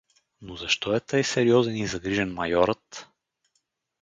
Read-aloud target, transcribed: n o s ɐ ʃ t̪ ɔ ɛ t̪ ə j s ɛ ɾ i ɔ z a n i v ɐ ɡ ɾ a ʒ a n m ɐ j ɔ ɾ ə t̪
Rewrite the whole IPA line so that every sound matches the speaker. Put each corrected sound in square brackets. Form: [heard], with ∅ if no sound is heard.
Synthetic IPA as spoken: n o [z] ɐ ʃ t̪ ɔ ɛ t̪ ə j s ɛ ɾ i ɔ z [ɛ] n i [z] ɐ ɡ ɾ [i] ʒ [ɛ] n m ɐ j ɔ ɾ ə t̪